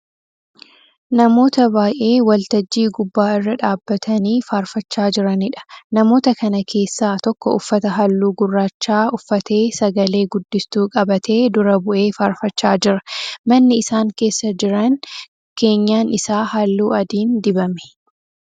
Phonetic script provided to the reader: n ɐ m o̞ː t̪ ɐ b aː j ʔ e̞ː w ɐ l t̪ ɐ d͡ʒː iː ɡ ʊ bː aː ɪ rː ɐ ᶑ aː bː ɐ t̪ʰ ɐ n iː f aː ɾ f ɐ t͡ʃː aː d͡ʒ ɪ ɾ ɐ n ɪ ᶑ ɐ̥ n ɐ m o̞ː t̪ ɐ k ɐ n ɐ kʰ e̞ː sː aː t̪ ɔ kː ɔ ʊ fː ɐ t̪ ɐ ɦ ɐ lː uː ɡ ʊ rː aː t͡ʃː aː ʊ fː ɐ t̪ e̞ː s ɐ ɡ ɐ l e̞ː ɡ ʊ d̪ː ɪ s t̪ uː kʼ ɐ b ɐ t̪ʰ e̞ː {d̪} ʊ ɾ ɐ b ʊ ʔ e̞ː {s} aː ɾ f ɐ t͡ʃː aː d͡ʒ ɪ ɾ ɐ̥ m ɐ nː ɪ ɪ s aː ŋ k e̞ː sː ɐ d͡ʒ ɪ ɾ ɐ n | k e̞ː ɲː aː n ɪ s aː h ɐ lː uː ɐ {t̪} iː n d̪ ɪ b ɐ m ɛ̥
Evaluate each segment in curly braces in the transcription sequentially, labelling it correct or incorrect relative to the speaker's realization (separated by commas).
correct, incorrect, incorrect